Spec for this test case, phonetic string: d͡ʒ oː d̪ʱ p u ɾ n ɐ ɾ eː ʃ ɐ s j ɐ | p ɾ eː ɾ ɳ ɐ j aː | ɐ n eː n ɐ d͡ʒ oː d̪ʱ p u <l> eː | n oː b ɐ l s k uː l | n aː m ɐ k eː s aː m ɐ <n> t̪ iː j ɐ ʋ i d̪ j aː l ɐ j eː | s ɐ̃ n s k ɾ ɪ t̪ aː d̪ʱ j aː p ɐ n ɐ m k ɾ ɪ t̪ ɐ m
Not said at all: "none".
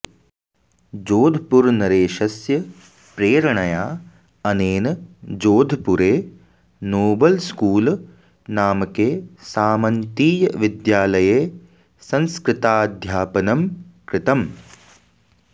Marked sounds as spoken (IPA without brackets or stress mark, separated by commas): ɾ, n